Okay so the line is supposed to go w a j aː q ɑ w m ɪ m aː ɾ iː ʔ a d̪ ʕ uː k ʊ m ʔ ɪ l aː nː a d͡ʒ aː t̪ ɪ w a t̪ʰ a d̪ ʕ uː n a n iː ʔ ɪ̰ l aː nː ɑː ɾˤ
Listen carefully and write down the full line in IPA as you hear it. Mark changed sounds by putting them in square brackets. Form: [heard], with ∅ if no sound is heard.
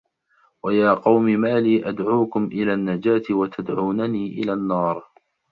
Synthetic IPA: w a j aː q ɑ w m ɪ m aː [l] iː ʔ a d̪ ʕ uː k ʊ m ʔ ɪ l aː nː a d͡ʒ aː t̪ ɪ w a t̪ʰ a d̪ ʕ uː n a n iː ʔ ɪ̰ l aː nː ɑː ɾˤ